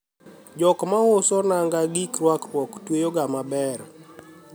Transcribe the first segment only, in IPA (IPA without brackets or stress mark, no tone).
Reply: d͡ʒ